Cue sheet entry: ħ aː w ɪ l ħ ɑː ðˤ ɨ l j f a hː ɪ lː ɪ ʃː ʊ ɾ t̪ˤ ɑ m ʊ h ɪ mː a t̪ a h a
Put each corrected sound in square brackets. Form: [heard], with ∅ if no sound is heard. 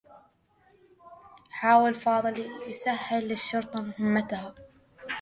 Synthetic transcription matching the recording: ħ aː w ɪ l [f] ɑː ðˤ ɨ l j [s] a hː ɪ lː ɪ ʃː ʊ ɾ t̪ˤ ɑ m ʊ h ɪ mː a t̪ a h a